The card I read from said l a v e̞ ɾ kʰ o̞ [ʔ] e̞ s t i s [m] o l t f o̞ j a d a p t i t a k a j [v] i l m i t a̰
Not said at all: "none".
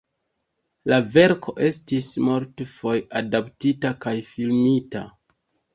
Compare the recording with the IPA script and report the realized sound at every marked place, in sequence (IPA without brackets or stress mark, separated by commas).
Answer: ʔ, m, f